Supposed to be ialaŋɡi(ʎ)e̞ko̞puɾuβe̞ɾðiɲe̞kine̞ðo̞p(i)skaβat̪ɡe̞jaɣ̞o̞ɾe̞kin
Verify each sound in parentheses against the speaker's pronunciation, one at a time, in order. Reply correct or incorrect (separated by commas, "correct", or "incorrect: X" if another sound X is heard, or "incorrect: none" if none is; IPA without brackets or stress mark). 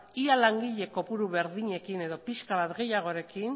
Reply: correct, correct